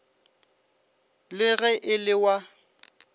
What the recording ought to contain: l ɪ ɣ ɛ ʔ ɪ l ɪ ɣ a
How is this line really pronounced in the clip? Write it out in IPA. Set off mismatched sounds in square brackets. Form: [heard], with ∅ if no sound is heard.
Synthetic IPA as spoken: l ɪ ɣ ɛ ʔ ɪ l ɪ [w] a